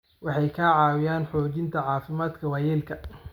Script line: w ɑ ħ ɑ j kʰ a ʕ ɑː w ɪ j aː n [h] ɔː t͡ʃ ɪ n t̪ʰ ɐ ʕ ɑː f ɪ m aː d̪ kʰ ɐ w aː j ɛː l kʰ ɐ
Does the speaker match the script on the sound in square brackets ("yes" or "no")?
no